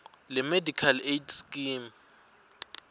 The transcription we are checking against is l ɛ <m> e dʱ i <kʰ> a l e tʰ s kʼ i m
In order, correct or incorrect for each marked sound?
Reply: correct, correct

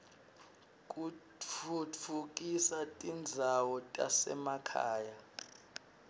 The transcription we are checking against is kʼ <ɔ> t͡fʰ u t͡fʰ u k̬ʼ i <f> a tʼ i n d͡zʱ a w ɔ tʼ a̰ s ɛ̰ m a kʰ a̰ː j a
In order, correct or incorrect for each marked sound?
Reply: incorrect: u, incorrect: s

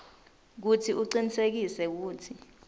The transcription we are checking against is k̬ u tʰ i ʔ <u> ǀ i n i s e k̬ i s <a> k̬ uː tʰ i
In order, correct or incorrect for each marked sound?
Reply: correct, incorrect: ɛ

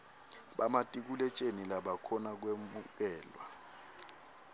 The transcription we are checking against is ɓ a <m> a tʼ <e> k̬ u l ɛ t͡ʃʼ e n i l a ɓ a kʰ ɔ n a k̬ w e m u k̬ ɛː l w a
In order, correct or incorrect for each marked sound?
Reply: correct, incorrect: i

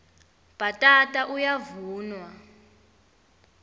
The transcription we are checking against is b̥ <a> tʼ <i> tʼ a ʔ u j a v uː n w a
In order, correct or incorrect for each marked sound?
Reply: correct, incorrect: a

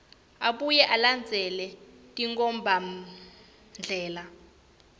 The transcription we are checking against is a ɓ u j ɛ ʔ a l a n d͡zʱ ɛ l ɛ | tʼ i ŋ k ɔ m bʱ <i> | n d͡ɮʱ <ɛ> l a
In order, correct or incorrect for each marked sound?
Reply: incorrect: a, incorrect: ɛː

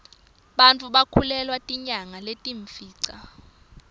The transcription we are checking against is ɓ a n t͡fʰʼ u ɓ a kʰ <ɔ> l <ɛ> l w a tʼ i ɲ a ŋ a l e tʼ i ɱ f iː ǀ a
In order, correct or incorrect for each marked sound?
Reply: incorrect: u, correct

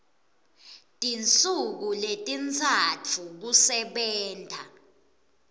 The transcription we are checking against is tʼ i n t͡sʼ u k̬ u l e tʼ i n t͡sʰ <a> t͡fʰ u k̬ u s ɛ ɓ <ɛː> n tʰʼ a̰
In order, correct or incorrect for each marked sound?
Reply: correct, correct

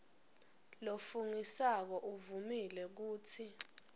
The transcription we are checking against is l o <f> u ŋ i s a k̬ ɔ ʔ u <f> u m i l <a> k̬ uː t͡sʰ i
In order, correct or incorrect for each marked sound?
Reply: correct, incorrect: v, incorrect: ɛ

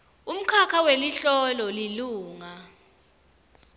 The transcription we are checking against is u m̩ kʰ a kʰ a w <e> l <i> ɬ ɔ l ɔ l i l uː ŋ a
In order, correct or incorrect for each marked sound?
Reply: correct, correct

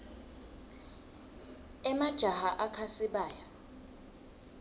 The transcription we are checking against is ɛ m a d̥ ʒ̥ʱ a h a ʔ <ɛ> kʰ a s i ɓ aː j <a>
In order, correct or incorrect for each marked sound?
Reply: incorrect: a, correct

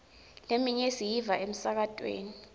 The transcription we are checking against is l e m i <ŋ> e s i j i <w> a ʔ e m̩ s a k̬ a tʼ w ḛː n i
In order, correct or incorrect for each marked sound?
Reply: incorrect: ɲ, incorrect: v

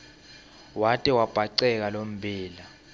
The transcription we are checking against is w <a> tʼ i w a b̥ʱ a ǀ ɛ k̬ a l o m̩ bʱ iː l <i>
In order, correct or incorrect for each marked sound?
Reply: correct, incorrect: a

